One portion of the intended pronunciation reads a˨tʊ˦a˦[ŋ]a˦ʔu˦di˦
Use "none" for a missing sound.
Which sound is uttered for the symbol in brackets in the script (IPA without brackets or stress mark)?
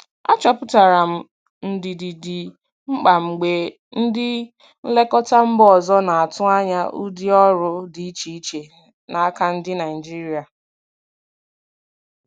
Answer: ɲ